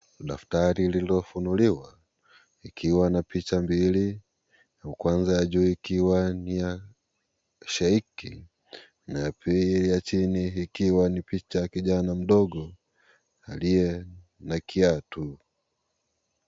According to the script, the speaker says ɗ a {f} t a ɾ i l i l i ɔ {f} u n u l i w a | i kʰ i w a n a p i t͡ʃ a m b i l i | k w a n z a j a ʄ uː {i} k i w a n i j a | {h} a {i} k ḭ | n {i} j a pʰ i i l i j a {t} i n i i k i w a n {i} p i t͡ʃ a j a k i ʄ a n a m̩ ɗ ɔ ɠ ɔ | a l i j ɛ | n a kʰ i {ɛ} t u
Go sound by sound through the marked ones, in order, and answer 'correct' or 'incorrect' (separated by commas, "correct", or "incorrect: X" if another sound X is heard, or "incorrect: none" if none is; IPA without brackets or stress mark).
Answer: correct, correct, correct, incorrect: ʃ, correct, incorrect: a, incorrect: t͡ʃ, correct, incorrect: a